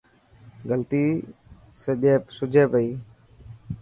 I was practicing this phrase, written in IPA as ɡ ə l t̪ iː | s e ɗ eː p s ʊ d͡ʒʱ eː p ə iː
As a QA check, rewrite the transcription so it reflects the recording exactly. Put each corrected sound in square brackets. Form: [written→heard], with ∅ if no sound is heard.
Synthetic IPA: ɡ ə l t̪ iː | s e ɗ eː p s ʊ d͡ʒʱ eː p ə iː